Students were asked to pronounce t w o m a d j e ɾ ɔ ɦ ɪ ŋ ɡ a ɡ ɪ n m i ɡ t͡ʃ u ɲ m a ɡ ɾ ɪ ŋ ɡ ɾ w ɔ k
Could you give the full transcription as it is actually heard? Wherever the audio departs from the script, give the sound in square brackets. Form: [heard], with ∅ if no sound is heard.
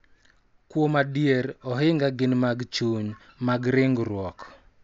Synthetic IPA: [k] w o m a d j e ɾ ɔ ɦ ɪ ŋ ɡ a ɡ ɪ n m [a] ɡ t͡ʃ u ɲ m a ɡ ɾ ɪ ŋ ɡ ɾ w ɔ k